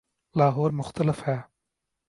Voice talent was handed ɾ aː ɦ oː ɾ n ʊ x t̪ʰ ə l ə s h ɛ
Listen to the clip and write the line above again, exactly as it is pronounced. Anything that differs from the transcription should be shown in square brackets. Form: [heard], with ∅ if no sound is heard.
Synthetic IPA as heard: [l] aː ɦ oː ɾ [m] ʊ x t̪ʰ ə l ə [f] h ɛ